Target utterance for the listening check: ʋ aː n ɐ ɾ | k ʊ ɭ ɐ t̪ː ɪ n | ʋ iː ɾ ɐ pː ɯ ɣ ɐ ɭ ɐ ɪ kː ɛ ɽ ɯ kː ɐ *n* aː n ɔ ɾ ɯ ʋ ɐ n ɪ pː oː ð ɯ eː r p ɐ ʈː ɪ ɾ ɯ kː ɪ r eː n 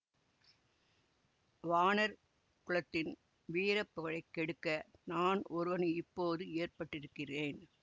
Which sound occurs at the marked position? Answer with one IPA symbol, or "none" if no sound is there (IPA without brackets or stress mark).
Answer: n